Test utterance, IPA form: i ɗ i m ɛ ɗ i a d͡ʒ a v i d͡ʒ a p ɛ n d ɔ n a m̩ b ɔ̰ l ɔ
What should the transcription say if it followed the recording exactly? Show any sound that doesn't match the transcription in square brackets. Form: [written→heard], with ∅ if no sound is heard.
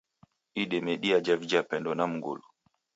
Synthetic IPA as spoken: i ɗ [i→ɛ] m ɛ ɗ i a d͡ʒ a v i d͡ʒ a p ɛ n d ɔ n a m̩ [b→ɡ] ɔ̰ l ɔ